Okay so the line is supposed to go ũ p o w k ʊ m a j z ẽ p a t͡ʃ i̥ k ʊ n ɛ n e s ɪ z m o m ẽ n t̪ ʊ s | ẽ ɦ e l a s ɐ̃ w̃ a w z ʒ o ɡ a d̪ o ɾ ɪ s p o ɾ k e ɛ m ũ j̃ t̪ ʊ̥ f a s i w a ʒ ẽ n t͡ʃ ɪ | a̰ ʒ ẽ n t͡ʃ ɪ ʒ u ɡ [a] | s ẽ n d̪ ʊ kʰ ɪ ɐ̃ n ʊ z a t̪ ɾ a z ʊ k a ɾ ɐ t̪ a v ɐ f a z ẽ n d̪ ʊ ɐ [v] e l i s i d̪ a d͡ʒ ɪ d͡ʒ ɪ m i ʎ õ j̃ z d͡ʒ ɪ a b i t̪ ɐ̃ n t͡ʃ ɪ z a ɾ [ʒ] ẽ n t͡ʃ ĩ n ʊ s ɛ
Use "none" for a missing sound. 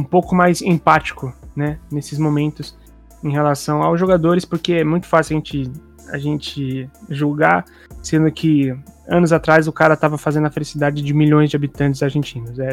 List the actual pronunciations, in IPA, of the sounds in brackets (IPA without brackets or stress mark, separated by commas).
a, f, ʒ